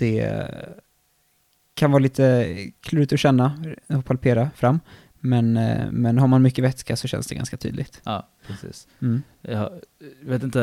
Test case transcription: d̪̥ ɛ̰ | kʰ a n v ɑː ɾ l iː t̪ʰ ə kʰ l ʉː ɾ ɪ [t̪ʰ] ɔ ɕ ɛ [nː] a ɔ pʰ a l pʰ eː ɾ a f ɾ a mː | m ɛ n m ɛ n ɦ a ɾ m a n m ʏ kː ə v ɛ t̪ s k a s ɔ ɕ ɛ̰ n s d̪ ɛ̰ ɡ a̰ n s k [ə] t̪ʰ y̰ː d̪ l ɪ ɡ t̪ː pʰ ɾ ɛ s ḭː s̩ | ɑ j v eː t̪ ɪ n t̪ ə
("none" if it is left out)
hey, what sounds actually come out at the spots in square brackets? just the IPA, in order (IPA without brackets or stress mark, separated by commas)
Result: t̪, nː, a